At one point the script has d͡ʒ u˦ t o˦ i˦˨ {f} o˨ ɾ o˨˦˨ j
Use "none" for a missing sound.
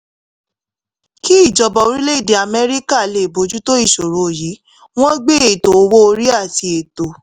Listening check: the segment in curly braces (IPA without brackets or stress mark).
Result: ʃ